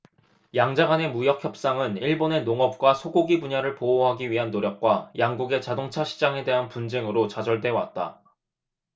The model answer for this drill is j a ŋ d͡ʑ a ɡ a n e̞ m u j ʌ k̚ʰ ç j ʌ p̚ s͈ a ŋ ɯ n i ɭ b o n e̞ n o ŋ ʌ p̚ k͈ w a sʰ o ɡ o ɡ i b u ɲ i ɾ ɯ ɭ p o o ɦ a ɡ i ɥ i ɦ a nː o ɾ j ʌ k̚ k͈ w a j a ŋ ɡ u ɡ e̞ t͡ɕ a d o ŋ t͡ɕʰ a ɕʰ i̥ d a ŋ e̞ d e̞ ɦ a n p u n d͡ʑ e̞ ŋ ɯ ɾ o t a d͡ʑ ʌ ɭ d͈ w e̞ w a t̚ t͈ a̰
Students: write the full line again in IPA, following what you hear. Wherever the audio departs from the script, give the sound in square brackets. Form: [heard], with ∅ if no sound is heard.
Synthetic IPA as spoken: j a ŋ d͡ʑ a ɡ a n e̞ m u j ʌ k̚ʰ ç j ʌ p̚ s͈ a ŋ ɯ n i ɭ b o n e̞ n o ŋ ʌ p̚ k͈ w a sʰ o ɡ o ɡ i b u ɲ [a] ɾ ɯ ɭ p o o ɦ a ɡ i ɥ i ɦ a nː o ɾ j ʌ k̚ k͈ w a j a ŋ ɡ u ɡ e̞ t͡ɕ a d o ŋ t͡ɕʰ a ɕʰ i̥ [d͡ʑ] a ŋ e̞ d e̞ ɦ a n p u n d͡ʑ e̞ ŋ ɯ ɾ o [t͡ɕ] a d͡ʑ ʌ ɭ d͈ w e̞ w a t̚ t͈ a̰